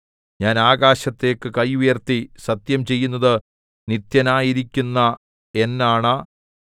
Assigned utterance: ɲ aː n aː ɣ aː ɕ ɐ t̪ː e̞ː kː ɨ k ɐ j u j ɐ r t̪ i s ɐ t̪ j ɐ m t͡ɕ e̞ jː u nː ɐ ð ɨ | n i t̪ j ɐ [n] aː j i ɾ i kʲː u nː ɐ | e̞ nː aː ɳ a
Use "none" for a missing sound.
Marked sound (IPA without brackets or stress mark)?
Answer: n